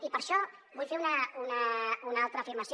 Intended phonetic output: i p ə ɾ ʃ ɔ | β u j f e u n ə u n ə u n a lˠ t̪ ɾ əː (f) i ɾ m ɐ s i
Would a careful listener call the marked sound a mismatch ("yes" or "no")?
no